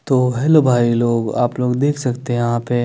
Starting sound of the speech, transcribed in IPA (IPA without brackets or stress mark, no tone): t̪